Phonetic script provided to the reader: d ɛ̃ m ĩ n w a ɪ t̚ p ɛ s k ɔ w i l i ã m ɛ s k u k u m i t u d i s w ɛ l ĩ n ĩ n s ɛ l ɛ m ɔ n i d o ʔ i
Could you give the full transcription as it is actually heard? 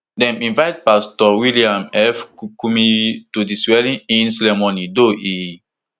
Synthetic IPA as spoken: d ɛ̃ m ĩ n v a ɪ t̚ p a s t ɔ w i l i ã m ɛ f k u k u m i t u d i s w ɛ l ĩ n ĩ n s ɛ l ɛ m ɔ n i d o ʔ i

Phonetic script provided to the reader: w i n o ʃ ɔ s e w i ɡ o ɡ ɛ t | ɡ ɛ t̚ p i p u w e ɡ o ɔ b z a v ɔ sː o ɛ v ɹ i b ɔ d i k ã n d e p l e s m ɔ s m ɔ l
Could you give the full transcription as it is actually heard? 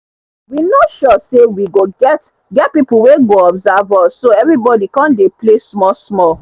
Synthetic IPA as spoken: w i n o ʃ ɔ s e w i ɡ o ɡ ɛ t | ɡ ɛ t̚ p i p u w e ɡ o ɔ b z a v ɔ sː o ɛ v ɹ i b ɔ d i k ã n d e p l e s m ɔ s m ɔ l

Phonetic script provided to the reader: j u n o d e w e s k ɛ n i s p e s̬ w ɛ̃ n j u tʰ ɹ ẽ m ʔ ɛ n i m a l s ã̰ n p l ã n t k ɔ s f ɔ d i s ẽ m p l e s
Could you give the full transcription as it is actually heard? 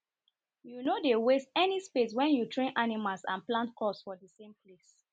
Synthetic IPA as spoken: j u n o d e w e s t ɛ n i s p e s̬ w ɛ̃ n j u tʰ ɹ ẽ n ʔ a n i m a l s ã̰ n p l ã n t k ɔ s f ɔ d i s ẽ m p l e s

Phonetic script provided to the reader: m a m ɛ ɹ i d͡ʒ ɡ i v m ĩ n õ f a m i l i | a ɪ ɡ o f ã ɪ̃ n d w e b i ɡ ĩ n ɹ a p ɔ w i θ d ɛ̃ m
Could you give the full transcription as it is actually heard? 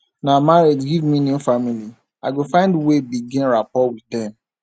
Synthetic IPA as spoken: n a m a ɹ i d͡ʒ ɡ i v m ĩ n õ f a m i l i | a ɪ ɡ o f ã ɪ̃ n d w e b i ɡ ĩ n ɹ a p ɔ w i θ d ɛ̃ m

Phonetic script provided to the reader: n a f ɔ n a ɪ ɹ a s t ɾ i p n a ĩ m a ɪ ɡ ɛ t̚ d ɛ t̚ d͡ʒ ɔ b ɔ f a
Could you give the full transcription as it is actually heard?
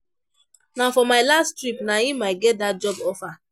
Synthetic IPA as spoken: n a f ɔ m a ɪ l a s t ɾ i p n a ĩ m a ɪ ɡ ɛ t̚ d a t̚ d͡ʒ ɔ b ɔ f a

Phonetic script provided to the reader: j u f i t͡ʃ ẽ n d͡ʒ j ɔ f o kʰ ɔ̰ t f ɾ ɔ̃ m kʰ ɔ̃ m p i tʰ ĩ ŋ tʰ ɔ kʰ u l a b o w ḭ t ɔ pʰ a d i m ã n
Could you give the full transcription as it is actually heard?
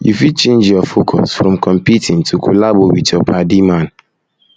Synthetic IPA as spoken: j u f i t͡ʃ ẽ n d͡ʒ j ɔ f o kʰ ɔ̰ s f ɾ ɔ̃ m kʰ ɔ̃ m p i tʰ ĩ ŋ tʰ u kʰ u l a b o w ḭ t ɔ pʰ a d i m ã n

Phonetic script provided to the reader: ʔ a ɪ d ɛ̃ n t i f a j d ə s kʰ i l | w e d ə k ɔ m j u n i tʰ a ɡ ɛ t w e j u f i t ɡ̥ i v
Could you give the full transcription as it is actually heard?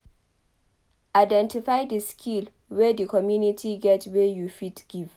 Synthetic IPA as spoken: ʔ a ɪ d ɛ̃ n t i f a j d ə s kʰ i l | w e d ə k ɔ m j u n i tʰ i ɡ ɛ t w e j u f i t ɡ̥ i v

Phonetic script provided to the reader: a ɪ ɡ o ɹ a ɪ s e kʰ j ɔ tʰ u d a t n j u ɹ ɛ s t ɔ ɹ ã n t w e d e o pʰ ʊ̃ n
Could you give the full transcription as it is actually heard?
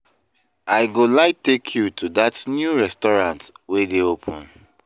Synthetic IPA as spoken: a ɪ ɡ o l a ɪ t e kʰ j u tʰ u d a t n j u ɹ ɛ s t ɔ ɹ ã n t w e d e o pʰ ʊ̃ n

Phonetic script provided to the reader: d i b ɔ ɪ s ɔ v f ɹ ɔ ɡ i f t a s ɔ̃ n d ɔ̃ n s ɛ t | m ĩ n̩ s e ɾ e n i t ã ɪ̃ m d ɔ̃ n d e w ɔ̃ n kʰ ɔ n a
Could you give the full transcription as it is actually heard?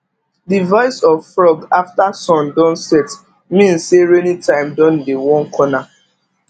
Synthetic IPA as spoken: d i v ɔ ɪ s ɔ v f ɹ ɔ ɡ a f t a s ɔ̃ n d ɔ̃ n s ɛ t | m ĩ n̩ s e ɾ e n i t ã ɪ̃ m d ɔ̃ n d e w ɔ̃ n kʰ ɔ n a

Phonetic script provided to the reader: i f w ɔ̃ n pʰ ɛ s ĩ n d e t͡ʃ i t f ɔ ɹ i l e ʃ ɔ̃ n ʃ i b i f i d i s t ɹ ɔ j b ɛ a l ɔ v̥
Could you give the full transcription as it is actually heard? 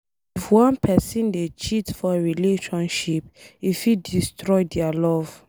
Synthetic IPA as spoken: i f w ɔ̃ n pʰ ɛ s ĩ n d e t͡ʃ i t f ɔ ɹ i l e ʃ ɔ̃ n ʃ i p i f i d i s t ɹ ɔ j d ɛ a l ɔ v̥

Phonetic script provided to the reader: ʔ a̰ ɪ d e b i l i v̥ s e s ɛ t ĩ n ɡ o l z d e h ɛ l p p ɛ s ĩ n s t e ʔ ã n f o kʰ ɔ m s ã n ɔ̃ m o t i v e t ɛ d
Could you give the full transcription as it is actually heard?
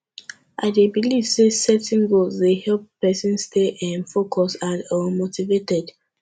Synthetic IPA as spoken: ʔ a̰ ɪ d e b i l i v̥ s e s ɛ t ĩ n ɡ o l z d e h ɛ l p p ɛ s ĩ n s t e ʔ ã n f o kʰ ɔ s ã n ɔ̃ m o t i v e t ɛ d

